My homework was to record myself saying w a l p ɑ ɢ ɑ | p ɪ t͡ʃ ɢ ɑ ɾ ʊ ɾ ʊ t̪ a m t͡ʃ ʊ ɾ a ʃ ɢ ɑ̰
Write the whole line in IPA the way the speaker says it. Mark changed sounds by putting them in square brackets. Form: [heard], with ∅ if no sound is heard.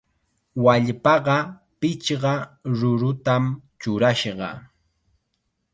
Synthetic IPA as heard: w a [ʎ] p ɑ ɢ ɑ | p ɪ t͡ʃ ɢ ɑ ɾ ʊ ɾ ʊ t̪ a m t͡ʃ ʊ ɾ a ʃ ɢ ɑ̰